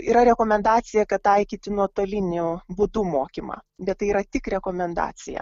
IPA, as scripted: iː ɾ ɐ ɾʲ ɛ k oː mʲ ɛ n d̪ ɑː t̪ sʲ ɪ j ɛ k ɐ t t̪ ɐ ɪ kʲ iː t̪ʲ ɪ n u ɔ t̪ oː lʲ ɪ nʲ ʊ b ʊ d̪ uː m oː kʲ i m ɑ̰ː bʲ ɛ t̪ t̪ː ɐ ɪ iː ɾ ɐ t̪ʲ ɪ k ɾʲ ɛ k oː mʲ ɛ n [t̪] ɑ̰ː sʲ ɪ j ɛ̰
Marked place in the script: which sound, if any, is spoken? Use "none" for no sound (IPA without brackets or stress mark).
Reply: d̪